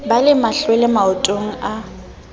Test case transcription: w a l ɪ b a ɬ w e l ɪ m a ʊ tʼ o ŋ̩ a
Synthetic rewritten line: b a l ɪ m a ɬ w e l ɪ m a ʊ tʼ o ŋ̩ a